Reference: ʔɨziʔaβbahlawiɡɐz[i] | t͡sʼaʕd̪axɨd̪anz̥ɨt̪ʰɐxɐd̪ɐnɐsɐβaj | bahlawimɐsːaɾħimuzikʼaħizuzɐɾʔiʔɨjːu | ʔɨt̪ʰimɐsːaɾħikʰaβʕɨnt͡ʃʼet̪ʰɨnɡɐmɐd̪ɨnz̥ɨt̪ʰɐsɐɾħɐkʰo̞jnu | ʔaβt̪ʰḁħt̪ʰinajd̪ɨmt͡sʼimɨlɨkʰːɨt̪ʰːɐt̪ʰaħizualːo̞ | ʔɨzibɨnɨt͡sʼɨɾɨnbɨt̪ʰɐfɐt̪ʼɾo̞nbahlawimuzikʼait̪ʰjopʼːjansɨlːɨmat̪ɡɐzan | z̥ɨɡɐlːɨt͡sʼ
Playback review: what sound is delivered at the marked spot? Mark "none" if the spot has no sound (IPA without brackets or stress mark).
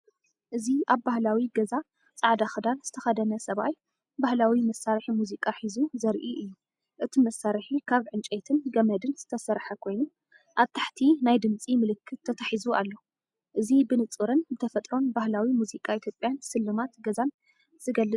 a